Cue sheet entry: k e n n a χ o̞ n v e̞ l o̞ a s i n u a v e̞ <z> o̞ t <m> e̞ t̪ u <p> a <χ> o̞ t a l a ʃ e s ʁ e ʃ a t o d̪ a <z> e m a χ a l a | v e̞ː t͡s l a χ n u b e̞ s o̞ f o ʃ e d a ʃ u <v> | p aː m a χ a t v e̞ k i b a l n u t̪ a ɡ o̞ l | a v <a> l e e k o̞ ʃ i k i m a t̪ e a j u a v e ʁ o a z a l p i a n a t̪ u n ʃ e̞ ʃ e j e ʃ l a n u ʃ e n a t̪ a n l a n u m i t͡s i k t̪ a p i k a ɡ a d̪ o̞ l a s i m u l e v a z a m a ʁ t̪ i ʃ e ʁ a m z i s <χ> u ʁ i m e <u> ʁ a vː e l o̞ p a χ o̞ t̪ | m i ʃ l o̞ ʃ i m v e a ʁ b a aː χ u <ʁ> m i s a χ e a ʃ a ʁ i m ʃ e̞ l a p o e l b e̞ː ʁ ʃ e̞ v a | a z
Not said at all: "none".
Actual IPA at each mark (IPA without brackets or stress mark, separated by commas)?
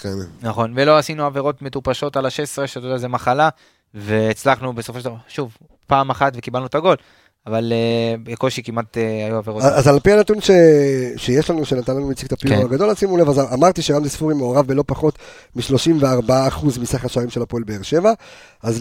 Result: ʁ, m, p, ʃ, z, v, a, f, o, z